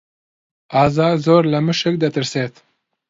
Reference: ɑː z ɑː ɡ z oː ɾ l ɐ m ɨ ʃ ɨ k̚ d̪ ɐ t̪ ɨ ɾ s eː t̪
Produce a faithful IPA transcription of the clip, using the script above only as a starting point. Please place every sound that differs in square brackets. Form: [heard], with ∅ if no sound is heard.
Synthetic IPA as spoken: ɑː z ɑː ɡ z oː ɾ l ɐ m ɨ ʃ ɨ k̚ d̪ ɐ t̪ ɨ ɾ s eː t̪